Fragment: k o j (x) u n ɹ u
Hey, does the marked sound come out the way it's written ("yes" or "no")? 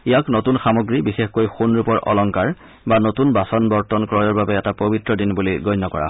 yes